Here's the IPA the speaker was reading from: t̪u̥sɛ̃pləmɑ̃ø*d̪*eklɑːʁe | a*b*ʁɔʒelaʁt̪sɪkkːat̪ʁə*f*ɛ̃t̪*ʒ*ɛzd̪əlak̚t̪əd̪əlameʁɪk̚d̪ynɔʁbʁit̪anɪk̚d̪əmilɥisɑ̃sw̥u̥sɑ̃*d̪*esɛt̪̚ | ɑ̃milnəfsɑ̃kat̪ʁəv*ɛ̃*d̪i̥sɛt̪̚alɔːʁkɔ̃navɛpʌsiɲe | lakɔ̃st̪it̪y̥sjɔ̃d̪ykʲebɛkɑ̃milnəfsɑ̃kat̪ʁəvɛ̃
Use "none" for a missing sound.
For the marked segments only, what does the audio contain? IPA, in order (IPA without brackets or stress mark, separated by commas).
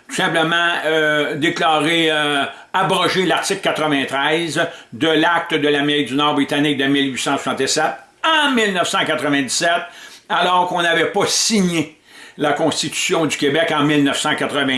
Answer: d̪, b, v, ʁ, t̪, ɛ̃